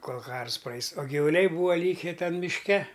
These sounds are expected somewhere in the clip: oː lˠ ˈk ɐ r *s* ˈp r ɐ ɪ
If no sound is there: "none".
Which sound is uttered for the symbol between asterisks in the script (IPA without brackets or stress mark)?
s